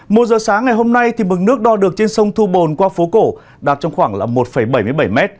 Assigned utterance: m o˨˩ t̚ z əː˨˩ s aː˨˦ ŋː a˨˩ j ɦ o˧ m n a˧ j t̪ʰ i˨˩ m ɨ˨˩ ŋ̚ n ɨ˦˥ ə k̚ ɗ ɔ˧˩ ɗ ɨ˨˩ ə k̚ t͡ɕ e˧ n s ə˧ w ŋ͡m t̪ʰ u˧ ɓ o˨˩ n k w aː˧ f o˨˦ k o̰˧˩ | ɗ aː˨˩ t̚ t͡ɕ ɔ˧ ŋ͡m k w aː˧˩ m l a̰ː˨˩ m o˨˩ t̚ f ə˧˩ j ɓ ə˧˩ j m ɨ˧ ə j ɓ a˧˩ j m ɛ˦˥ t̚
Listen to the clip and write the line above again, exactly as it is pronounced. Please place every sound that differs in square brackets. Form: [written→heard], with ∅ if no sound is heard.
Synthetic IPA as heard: m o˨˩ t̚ z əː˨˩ s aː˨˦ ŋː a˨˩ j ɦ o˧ m n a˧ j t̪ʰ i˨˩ m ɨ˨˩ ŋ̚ n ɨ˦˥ ə k̚ ɗ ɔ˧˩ ɗ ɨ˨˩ ə k̚ t͡ɕ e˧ n s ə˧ w ŋ͡m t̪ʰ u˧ ɓ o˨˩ n k w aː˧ f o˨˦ k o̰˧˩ | ɗ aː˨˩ t̚ t͡ɕ ɔ˧ ŋ͡m [k→x] w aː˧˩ [m→ŋ] l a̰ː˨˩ m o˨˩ t̚ f ə˧˩ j ɓ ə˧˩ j m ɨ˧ ə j ɓ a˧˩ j m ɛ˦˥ t̚